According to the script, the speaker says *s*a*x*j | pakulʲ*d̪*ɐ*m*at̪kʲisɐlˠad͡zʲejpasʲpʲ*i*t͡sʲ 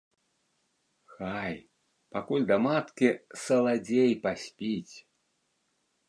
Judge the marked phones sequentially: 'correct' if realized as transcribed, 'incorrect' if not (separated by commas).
incorrect, incorrect, correct, correct, correct